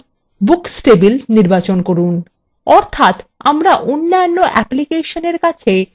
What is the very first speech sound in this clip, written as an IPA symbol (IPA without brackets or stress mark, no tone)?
b